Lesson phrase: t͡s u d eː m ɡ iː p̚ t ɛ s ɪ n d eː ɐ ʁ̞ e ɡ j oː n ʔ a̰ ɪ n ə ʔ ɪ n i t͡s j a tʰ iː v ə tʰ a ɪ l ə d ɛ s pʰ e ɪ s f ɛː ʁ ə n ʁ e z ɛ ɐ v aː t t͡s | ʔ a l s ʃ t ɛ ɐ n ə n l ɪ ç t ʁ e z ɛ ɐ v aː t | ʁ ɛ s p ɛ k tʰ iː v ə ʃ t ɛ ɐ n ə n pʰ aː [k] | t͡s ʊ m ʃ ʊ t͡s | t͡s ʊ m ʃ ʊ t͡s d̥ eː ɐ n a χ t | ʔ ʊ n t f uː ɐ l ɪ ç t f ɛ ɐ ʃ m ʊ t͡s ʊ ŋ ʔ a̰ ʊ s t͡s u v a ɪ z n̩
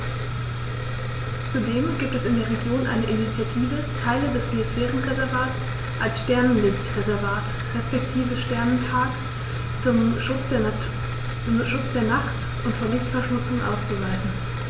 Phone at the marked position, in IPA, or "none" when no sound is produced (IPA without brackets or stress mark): k